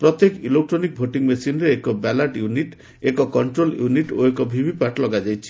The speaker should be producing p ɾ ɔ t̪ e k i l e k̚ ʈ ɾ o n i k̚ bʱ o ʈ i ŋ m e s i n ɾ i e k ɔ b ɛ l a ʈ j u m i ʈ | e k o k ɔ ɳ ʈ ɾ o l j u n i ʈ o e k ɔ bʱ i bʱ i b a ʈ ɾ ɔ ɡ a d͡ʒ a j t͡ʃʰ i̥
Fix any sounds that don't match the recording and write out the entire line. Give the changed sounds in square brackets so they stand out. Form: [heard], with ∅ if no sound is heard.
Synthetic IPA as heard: p ɾ ɔ t̪ e k i l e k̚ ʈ ɾ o n i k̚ bʱ o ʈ i ŋ m e s i n ɾ [e] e k ɔ b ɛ l a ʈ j u [n] i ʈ | e k [ɔ] k ɔ ɳ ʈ ɾ o l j u n i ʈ o e k ɔ bʱ i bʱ i [p] a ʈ [l] ɔ ɡ a d͡ʒ a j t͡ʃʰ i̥

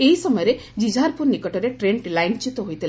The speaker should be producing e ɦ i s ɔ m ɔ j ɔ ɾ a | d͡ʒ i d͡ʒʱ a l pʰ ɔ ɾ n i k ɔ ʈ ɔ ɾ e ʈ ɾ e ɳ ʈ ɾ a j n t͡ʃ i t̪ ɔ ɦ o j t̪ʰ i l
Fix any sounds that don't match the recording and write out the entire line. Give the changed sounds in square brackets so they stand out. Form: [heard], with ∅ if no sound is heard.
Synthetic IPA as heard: e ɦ i s ɔ m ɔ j ɔ ɾ [e] | d͡ʒ i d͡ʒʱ a [ɾ] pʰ [u] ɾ n i k ɔ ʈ ɔ ɾ e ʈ ɾ e ɳ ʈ [l] a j n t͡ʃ i t̪ ɔ ɦ o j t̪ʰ i l

